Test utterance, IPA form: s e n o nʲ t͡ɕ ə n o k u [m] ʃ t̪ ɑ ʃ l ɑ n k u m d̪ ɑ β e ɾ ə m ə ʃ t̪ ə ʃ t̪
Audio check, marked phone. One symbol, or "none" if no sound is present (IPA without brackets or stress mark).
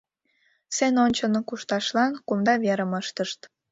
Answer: none